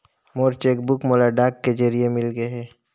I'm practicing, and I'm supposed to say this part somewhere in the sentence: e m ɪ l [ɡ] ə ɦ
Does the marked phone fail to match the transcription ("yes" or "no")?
no